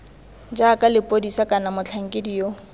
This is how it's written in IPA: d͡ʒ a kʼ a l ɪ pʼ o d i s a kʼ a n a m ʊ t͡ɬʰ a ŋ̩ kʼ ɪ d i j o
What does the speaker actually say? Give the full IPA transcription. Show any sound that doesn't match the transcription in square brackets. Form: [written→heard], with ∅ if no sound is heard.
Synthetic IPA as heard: d͡ʒ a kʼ a l ɪ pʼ o d i s a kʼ a n a m ʊ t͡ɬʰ a ŋ̩ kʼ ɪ d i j o